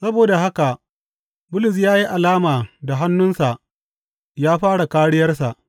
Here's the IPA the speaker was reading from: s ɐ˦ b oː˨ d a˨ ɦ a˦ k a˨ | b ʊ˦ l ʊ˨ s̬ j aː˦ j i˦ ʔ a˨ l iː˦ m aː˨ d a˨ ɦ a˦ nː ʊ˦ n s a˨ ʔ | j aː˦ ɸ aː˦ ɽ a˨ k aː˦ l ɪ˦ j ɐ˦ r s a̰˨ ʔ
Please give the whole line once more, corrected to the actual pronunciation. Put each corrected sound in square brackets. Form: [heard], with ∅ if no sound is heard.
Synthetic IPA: s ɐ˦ b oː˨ d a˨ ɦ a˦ k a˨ | b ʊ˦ l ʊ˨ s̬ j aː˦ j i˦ ʔ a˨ l [aː˦] m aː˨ d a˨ ɦ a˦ nː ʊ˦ n s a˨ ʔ | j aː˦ ɸ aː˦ ɽ a˨ k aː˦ [ɽ] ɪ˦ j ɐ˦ r s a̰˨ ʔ